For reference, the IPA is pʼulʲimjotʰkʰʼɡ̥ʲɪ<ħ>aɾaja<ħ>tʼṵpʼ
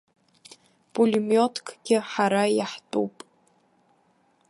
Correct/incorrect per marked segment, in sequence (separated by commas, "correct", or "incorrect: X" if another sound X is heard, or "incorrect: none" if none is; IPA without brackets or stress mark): correct, correct